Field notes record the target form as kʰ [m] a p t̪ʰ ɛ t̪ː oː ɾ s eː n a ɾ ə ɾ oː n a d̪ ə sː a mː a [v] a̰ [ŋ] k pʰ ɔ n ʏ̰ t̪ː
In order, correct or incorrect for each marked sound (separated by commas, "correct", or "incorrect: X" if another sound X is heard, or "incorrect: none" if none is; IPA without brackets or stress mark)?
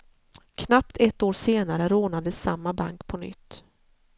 incorrect: n, incorrect: b, correct